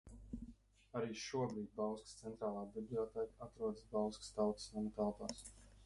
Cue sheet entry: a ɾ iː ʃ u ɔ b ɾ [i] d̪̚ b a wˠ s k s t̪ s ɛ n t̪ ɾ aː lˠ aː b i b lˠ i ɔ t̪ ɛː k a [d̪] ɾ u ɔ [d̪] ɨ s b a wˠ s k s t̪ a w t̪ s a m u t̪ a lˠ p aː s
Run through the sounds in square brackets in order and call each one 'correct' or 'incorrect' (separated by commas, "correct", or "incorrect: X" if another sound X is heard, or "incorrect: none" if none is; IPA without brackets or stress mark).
incorrect: iː, incorrect: t̪, correct